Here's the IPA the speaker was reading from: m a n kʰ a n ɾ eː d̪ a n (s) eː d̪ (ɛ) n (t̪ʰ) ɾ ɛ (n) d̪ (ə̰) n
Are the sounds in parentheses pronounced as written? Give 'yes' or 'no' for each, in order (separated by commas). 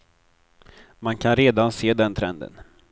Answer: yes, yes, yes, yes, yes